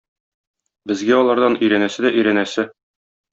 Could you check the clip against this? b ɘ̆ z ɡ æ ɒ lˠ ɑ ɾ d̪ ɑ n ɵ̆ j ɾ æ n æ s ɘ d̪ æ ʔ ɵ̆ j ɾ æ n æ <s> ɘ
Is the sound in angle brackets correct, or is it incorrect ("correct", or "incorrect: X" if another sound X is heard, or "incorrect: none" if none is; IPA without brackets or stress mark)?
correct